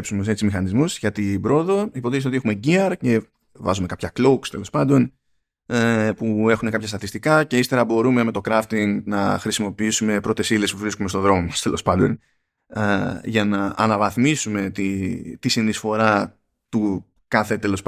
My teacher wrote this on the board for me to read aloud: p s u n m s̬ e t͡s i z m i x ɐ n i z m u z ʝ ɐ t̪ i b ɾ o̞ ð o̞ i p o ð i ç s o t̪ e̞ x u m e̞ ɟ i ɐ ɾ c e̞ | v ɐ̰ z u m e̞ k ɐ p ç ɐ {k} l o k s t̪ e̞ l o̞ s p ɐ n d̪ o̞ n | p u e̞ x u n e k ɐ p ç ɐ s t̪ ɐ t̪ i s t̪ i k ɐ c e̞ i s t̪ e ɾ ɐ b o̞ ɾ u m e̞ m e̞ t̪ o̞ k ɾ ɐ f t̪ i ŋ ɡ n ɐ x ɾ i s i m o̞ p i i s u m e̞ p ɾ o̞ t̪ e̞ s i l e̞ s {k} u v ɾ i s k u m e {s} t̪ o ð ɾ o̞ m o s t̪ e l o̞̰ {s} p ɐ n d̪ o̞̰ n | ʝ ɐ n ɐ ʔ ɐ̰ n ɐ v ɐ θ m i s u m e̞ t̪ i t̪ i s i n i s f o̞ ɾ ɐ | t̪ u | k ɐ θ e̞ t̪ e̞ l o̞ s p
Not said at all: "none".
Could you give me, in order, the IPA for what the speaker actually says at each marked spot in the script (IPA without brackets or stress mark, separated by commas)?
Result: k, p, s, s